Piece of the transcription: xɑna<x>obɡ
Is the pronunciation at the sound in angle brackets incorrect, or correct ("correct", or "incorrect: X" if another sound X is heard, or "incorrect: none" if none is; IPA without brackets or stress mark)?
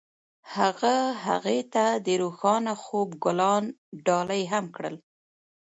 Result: correct